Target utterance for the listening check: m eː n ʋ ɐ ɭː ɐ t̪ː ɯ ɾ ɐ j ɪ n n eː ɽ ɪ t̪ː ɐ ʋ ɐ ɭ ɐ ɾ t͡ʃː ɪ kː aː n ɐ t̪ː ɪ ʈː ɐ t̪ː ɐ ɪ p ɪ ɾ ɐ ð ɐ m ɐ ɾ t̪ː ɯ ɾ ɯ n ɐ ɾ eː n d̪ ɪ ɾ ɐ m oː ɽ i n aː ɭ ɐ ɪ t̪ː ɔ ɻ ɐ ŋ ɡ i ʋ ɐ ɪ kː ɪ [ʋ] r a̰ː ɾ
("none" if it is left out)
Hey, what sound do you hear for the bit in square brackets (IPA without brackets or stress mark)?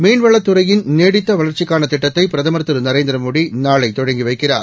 none